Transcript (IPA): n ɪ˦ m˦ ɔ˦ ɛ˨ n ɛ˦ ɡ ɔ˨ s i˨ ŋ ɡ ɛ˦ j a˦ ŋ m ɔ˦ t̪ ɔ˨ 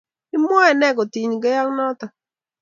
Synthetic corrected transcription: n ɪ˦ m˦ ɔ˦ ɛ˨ n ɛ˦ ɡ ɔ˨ t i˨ ɲ ɡ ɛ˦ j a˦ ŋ n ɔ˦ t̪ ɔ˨